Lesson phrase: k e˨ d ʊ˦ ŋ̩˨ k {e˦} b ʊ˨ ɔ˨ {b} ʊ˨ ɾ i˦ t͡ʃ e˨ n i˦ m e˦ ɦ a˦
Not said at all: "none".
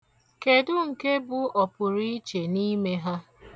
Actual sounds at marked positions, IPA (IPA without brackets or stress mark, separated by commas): e˦, p